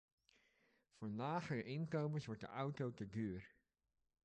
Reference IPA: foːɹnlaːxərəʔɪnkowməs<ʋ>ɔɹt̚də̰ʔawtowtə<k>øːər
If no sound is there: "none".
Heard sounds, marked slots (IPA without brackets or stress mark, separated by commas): ʋ, ɡ